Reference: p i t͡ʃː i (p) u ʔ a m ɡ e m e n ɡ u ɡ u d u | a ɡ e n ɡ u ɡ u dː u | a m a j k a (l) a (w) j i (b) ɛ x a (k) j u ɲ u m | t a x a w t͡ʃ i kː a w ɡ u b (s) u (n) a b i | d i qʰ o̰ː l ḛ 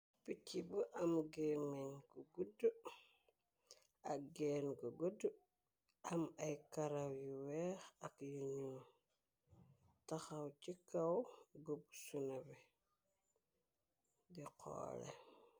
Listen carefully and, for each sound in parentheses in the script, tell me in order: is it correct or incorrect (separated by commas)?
incorrect, incorrect, correct, incorrect, correct, correct, correct